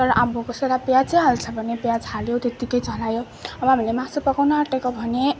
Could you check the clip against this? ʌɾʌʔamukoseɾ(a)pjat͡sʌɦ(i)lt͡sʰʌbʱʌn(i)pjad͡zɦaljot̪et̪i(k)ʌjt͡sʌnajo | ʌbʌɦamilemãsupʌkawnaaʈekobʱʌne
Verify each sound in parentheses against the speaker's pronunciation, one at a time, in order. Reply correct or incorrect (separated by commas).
correct, incorrect, incorrect, correct